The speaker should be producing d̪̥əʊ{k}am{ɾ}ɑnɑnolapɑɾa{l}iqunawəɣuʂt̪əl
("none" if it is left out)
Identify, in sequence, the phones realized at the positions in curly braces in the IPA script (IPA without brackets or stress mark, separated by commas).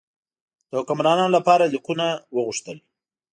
k, ɾ, l